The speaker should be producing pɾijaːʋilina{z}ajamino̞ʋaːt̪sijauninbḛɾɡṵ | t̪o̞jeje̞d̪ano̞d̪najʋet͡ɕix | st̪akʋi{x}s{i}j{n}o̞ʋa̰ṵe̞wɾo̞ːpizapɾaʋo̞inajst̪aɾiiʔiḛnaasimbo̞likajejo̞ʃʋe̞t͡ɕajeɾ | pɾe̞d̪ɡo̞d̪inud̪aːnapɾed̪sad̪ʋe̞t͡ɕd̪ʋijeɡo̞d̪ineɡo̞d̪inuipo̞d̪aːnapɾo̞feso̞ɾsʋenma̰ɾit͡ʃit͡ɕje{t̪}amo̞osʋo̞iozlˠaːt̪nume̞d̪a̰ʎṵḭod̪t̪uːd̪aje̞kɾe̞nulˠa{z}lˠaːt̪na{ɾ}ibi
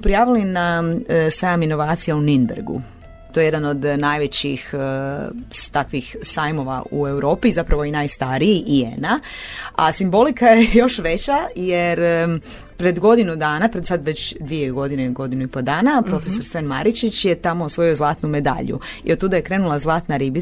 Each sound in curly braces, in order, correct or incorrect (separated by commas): incorrect, correct, incorrect, incorrect, correct, correct, correct